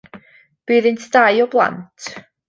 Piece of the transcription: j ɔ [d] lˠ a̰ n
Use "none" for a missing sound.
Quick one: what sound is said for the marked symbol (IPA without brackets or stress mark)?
b